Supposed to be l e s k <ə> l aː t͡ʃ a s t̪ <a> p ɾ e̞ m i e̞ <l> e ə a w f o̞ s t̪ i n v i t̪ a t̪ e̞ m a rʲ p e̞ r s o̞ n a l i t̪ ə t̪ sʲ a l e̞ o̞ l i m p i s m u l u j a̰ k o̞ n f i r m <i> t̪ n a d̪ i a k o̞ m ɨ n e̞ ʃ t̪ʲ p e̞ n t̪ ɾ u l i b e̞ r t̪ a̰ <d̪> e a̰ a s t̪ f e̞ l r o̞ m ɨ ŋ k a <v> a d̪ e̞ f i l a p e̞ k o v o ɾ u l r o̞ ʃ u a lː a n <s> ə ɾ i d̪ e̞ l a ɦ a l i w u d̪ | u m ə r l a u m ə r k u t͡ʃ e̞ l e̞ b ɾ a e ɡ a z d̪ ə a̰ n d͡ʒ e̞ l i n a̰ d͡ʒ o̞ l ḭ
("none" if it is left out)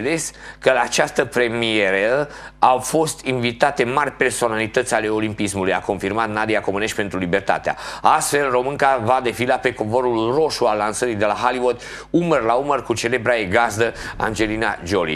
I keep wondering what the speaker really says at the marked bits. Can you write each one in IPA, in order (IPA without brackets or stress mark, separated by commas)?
ə, ə, ɾ, a, t̪, v, s